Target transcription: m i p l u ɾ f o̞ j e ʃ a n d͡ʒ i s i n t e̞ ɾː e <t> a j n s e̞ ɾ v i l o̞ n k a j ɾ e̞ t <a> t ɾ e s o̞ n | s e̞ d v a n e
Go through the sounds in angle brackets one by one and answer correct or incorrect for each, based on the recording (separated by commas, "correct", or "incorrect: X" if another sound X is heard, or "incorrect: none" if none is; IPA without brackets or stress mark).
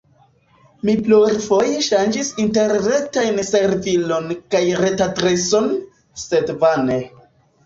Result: correct, correct